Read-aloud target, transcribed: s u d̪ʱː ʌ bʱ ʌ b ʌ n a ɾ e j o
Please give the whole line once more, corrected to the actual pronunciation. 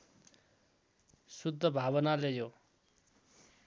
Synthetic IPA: s u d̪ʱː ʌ bʱ a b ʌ n a l e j o